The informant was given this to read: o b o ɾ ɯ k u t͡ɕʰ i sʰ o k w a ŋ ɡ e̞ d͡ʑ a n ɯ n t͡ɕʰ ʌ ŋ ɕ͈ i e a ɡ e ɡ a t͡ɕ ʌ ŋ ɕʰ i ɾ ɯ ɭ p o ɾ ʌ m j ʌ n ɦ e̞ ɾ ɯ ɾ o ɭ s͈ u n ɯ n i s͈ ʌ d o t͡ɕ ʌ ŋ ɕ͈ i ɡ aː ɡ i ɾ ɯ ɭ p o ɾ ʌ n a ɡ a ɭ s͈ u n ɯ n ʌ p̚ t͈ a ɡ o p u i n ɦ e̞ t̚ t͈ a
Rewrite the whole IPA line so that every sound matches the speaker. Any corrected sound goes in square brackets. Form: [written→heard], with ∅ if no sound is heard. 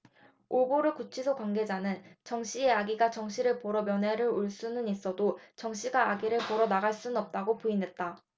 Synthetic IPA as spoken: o b o ɾ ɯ k u t͡ɕʰ i sʰ o k w a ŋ ɡ e̞ d͡ʑ a n ɯ n [t͡ɕʰ→t͡ɕ] ʌ ŋ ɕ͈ i e a ɡ [e→i] ɡ a t͡ɕ ʌ ŋ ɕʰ i ɾ ɯ ɭ p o ɾ ʌ m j ʌ n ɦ e̞ ɾ ɯ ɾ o ɭ s͈ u n ɯ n i s͈ ʌ d o t͡ɕ ʌ ŋ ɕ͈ i ɡ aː ɡ i ɾ ɯ ɭ p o ɾ ʌ n a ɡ a ɭ s͈ u n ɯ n ʌ p̚ t͈ a ɡ o p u i n ɦ e̞ t̚ t͈ a